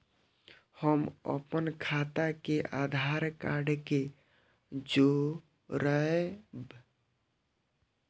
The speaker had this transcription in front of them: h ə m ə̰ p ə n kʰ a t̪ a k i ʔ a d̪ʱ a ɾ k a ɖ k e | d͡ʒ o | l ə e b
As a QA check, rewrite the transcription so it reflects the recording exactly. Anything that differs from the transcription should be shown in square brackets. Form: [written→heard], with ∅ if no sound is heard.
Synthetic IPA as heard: h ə m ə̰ p ə n kʰ a t̪ a k [i→e] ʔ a d̪ʱ a ɾ k a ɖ k e | d͡ʒ o | [l→ɾ] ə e b